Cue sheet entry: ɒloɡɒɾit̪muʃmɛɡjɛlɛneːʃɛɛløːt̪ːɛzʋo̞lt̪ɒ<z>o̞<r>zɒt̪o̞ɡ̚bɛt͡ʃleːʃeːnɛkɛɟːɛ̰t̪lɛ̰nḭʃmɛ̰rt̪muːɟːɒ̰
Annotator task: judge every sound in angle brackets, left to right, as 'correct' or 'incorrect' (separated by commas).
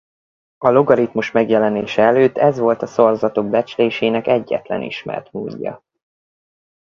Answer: incorrect, correct